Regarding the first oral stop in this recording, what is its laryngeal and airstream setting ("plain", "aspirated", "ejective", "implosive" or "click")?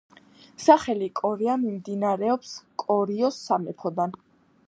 ejective